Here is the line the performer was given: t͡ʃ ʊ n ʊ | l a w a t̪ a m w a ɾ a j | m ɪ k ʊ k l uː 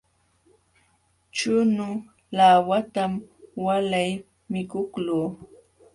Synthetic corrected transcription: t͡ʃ ʊ n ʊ | l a w a t̪ a m w a l a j | m ɪ k ʊ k l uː